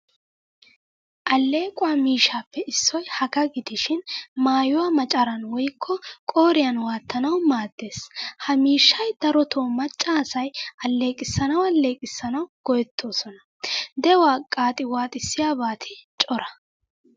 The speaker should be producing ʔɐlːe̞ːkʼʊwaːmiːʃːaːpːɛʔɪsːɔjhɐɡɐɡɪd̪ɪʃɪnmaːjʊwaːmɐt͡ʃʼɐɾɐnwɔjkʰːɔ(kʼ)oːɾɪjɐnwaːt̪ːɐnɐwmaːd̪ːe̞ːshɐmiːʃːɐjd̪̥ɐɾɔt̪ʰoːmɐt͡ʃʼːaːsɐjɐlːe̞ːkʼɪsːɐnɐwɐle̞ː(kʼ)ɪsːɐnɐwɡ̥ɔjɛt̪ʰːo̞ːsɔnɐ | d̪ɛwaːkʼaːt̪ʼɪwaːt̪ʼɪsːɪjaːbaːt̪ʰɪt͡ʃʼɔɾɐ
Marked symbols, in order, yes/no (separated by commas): yes, yes